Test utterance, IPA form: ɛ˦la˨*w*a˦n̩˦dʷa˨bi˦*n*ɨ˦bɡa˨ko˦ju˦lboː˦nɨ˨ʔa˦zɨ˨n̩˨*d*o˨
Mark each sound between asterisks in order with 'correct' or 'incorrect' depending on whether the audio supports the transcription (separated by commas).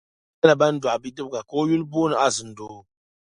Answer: incorrect, incorrect, correct